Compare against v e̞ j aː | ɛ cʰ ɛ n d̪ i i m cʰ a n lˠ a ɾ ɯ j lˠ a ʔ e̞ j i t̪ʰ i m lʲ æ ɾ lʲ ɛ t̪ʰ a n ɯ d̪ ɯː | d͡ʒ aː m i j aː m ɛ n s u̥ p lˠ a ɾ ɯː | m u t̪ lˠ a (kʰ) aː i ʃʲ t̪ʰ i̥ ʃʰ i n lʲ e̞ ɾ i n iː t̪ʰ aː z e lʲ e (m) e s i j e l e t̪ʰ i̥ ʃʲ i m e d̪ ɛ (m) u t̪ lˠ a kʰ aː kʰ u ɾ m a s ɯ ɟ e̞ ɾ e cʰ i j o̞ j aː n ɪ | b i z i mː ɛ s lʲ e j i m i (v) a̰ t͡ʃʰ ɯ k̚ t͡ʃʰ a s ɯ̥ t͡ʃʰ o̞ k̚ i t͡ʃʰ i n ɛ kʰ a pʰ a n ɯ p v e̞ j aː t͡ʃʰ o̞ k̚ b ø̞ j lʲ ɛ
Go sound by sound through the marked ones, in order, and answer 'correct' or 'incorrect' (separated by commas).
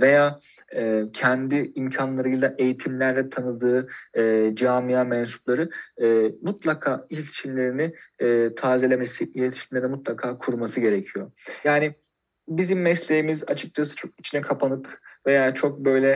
correct, correct, correct, incorrect